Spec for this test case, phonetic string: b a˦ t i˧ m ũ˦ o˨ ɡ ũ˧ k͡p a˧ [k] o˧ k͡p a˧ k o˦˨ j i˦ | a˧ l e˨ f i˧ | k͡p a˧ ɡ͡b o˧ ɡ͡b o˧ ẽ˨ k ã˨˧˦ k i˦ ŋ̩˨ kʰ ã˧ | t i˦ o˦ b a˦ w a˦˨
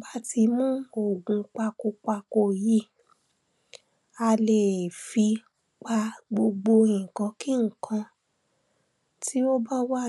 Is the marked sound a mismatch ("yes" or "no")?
no